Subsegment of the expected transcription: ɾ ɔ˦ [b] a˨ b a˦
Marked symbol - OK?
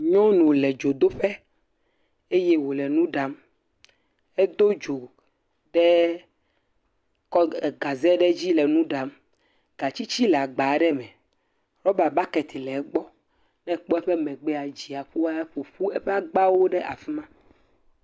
yes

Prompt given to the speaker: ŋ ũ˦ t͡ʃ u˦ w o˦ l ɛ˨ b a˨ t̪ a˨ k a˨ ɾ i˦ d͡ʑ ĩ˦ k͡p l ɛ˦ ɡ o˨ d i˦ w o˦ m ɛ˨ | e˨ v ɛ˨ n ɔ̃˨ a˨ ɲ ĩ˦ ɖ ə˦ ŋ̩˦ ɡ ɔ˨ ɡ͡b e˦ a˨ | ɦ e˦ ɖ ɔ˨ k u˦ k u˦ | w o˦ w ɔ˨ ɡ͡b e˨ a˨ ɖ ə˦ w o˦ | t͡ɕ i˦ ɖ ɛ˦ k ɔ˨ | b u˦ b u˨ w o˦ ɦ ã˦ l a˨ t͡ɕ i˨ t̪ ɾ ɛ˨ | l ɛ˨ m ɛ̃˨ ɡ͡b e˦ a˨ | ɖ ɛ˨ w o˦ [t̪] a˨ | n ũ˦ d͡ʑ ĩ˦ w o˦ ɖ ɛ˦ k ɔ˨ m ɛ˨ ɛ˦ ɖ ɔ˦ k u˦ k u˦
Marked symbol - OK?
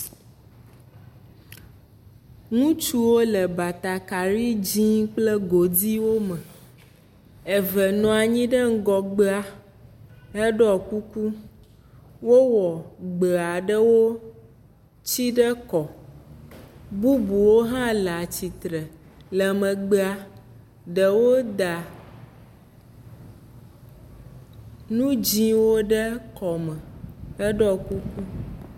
no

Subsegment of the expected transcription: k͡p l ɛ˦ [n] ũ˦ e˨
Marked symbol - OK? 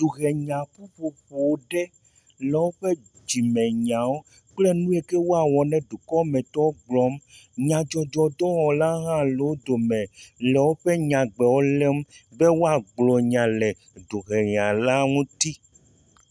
yes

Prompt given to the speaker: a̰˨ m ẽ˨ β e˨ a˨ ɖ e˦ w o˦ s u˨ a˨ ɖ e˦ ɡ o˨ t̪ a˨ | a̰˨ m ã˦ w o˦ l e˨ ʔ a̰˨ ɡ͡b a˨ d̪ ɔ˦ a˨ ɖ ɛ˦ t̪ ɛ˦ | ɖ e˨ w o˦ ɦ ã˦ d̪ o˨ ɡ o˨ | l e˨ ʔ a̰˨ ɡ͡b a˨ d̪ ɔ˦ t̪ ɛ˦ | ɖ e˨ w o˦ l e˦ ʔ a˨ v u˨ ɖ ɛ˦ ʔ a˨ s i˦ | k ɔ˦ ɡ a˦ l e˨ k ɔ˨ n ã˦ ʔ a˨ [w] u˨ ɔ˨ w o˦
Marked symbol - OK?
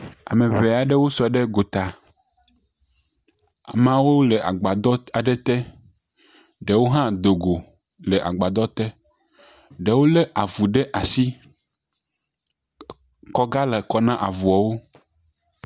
no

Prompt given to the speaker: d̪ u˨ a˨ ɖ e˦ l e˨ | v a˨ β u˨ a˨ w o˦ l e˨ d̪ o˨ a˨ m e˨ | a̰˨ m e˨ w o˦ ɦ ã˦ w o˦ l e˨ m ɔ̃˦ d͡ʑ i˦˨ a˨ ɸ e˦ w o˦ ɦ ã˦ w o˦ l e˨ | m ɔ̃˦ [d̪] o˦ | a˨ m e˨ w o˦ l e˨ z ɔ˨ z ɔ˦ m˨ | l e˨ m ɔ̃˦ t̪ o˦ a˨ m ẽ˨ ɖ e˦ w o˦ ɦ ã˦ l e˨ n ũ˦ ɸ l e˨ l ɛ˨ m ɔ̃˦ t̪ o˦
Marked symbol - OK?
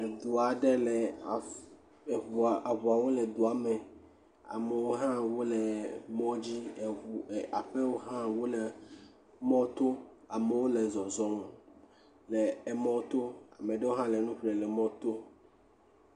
no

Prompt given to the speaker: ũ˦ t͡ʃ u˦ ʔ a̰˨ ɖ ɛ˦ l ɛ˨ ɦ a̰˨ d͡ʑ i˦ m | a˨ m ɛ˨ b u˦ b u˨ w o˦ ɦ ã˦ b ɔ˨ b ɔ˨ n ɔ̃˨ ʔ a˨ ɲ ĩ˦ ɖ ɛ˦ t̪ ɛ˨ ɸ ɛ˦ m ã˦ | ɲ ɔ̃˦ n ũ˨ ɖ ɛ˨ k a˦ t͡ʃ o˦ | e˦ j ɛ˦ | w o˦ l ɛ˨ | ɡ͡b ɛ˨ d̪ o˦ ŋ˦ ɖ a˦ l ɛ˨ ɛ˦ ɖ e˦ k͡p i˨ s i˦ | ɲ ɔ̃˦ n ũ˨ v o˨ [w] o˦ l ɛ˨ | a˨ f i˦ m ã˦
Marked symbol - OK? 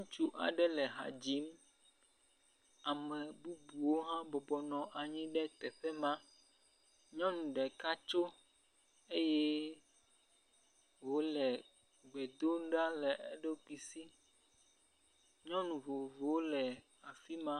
no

